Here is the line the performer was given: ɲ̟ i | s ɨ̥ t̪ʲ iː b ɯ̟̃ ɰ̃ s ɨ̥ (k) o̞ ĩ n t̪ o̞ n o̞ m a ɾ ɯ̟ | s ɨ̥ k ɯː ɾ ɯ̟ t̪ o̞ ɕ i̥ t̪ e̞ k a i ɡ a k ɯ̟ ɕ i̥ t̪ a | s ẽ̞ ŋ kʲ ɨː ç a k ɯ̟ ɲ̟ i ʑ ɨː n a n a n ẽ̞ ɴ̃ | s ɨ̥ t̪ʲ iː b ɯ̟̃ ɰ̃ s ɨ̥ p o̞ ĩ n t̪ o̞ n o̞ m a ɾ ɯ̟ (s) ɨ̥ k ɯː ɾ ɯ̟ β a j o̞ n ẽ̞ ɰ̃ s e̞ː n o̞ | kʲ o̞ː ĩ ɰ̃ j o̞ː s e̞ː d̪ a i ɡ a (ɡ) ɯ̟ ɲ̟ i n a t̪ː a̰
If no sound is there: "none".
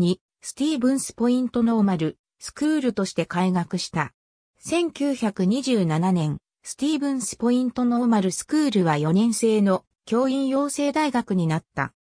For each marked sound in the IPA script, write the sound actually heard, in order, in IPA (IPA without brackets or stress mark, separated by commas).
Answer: p, s, k